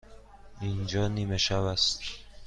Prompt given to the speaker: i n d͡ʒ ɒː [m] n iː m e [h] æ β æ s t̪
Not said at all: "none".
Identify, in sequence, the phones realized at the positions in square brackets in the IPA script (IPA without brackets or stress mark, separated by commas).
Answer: none, ʃ